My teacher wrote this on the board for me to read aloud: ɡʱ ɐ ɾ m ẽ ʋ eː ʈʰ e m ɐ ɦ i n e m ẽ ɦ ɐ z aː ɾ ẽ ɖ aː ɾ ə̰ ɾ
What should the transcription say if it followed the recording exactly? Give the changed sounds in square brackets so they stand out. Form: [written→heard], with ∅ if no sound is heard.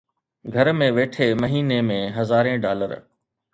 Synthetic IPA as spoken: ɡʱ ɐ ɾ m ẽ ʋ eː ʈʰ e m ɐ ɦ [i→iː] n e m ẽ ɦ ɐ z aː ɾ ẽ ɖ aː [ɾ→l] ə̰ ɾ